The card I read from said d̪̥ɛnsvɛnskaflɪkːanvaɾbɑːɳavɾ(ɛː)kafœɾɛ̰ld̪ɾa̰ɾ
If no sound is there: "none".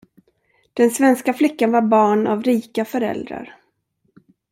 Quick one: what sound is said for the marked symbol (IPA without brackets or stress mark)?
iː